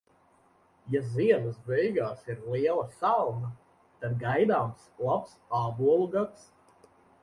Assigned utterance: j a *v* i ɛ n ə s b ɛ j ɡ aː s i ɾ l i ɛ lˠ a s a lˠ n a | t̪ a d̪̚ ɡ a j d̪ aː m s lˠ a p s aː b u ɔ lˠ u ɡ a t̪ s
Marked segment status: incorrect: z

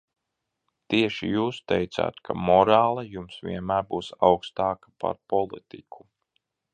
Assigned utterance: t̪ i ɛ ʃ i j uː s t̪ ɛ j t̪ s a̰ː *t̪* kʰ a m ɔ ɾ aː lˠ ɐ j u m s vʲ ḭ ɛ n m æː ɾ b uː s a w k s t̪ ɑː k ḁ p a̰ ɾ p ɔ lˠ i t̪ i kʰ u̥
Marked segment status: correct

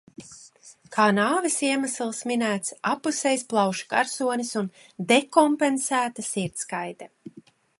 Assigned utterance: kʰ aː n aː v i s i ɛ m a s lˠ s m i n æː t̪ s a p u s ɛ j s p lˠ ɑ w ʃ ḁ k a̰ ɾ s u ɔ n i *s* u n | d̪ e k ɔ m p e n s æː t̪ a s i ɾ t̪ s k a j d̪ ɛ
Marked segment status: correct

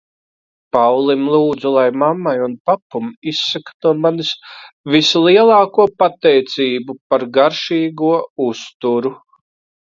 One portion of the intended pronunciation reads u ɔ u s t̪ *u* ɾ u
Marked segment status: correct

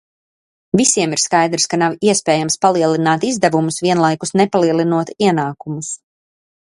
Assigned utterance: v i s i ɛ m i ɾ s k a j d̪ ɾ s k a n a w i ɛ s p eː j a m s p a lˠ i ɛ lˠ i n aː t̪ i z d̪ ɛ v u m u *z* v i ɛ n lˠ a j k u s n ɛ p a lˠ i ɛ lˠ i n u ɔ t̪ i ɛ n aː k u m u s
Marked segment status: incorrect: s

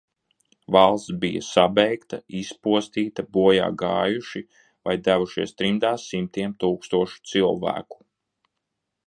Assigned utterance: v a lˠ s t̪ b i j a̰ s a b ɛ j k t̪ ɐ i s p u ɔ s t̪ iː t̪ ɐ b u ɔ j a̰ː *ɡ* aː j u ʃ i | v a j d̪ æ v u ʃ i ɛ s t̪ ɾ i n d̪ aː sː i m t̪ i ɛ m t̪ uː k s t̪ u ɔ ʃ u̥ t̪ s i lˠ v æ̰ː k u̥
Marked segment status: correct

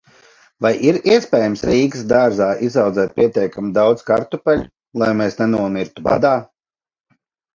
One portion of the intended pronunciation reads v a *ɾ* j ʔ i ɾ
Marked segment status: incorrect: none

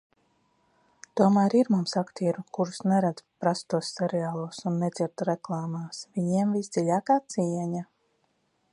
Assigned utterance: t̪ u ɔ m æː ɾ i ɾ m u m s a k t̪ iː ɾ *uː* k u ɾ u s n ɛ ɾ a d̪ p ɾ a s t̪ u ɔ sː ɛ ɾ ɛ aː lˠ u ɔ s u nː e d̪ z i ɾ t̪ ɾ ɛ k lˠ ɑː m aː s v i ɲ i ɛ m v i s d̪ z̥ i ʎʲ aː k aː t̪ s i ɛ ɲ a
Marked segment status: incorrect: u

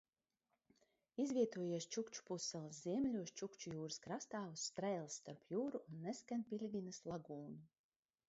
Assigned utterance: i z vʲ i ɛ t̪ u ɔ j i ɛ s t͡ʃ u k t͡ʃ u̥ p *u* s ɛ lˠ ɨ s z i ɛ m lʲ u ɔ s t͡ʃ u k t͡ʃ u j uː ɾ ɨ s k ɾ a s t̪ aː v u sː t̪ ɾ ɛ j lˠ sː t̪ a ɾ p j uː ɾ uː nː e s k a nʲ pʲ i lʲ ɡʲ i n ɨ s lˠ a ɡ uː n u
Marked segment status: correct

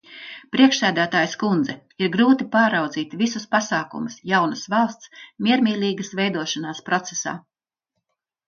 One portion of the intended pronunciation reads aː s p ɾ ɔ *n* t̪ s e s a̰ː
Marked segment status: incorrect: none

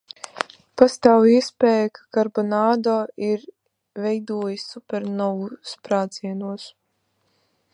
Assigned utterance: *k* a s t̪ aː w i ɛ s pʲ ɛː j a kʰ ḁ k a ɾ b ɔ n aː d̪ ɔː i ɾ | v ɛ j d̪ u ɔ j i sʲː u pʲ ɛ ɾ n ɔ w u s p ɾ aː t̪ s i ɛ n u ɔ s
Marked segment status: incorrect: p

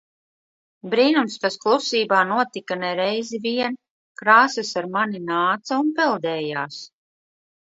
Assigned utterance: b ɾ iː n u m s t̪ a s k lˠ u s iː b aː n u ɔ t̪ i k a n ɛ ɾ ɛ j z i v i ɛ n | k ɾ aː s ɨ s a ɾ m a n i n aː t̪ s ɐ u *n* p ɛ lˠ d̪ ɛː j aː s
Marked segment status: correct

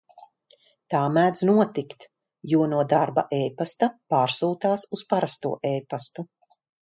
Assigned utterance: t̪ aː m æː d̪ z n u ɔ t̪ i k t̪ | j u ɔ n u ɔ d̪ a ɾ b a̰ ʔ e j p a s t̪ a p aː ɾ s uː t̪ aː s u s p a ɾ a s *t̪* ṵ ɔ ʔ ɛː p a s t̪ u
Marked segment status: correct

